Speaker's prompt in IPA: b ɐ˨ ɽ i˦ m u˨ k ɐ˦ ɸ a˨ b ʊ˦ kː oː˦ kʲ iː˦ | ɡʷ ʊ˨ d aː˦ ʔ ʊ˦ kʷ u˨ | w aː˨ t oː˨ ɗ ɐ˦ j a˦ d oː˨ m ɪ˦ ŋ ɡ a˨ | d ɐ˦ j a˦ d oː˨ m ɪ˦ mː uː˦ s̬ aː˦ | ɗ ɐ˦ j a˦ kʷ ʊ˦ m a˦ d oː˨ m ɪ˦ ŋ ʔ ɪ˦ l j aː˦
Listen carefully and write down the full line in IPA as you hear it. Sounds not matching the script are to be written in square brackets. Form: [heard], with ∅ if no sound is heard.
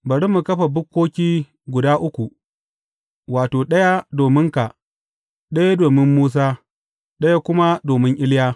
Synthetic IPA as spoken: b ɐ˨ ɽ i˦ m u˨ k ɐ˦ ɸ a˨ b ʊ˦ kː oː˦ kʲ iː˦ | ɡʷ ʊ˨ d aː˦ ʔ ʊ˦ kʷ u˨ | w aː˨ t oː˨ ɗ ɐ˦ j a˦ d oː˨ m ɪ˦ ŋ [k] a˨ | [ɗ] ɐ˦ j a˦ d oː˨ m ɪ˦ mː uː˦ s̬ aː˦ | ɗ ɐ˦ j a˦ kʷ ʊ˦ m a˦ d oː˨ m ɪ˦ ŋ ʔ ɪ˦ l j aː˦

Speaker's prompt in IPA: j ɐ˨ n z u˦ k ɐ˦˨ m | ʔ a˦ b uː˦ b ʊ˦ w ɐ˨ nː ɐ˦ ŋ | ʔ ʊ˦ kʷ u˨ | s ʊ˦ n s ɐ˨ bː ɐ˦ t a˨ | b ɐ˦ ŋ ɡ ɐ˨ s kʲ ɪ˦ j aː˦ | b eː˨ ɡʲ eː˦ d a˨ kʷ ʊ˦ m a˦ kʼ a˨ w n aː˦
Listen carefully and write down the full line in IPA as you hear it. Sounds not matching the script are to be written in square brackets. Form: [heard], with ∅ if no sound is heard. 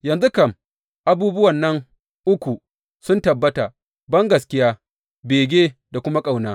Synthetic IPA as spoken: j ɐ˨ n z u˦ k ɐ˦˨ m | ʔ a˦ b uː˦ b ʊ˦ w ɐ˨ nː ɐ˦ ŋ | ʔ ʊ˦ kʷ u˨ | s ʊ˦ n [t] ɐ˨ bː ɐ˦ t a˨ | b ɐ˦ ŋ ɡ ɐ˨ s kʲ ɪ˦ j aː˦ | b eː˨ ɡʲ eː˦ d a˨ kʷ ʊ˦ m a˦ kʼ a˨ w n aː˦

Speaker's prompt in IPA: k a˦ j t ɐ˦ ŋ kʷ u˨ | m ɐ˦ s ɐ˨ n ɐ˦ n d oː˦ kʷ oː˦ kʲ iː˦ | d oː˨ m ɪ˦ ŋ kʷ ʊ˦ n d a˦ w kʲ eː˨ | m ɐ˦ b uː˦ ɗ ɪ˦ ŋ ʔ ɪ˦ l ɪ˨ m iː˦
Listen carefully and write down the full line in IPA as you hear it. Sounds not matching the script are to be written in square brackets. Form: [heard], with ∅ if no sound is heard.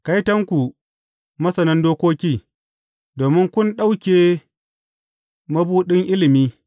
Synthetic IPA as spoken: k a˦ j t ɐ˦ ŋ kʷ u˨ | m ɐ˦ s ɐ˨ n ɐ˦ n d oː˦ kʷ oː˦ kʲ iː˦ | d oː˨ m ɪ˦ ŋ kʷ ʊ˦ n [ɗ] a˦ w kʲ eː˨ | m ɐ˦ b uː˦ ɗ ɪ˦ ŋ ʔ ɪ˦ l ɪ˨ m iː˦

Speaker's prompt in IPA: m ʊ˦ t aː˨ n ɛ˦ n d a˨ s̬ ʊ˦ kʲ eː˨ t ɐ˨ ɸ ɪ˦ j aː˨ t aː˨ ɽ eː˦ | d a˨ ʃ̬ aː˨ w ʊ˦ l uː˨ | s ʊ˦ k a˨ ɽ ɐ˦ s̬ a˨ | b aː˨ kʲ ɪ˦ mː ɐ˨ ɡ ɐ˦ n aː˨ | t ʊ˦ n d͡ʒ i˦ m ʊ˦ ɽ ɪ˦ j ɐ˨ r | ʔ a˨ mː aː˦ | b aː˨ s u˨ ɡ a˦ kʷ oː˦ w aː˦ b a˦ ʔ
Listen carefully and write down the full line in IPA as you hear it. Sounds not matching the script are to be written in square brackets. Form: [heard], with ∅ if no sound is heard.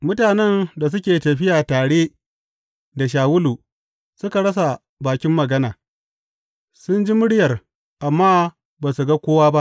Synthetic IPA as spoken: m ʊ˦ t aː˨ n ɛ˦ n d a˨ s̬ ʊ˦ kʲ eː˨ t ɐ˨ ɸ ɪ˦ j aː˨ t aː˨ ɽ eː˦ | d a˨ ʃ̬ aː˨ w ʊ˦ l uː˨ | s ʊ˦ k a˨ ɽ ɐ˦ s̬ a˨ | b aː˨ kʲ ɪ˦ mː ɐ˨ ɡ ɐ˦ n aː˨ | [s] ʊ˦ n d͡ʒ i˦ m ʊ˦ ɽ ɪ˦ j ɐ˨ r | ʔ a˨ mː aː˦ | b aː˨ s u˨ ɡ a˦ kʷ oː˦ w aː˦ b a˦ ʔ

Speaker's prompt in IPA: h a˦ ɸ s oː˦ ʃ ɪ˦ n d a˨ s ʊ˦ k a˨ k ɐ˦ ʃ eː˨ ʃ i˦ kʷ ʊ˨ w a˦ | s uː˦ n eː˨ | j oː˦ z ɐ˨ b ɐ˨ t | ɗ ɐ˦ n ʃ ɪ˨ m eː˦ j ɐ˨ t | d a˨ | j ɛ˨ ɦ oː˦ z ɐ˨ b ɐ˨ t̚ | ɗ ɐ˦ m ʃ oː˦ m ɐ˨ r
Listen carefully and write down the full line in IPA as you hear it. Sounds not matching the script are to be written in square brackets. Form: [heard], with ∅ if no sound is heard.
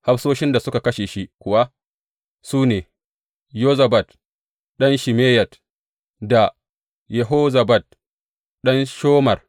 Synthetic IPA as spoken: h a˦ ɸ s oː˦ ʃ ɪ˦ n d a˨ s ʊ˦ k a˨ k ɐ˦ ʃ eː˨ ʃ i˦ kʷ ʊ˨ w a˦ | s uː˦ n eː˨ | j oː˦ z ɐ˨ b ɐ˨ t | ɗ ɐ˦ n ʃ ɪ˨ m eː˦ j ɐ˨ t | d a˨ | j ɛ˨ ɦ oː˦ z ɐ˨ b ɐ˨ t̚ | ɗ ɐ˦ [n] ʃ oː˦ m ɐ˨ r

